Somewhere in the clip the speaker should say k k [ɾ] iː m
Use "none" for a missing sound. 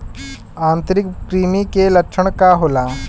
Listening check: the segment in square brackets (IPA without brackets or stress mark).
ɾ